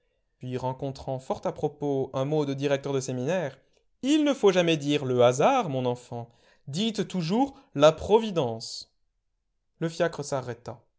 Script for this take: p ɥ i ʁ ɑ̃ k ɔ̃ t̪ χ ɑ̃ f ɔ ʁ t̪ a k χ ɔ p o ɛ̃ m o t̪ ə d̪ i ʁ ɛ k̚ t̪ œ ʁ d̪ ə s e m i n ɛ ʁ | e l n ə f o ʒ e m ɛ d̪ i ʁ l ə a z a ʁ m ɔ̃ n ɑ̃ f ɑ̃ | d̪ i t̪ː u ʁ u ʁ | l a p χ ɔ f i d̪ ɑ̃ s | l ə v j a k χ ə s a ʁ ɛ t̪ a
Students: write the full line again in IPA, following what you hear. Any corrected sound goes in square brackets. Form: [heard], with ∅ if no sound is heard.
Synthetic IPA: p ɥ i ʁ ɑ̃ k ɔ̃ t̪ χ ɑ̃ f ɔ ʁ t̪ a [p] χ ɔ p o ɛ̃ m o [d̪] ə d̪ i ʁ ɛ k̚ t̪ œ ʁ d̪ ə s e m i n ɛ ʁ | [i] l n ə f o ʒ [a] m ɛ d̪ i ʁ l ə a z a ʁ m ɔ̃ n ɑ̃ f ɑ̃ | d̪ i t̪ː u [ʒ] u ʁ | l a p χ ɔ [v] i d̪ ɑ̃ s | l ə [f] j a k χ ə s a ʁ ɛ t̪ a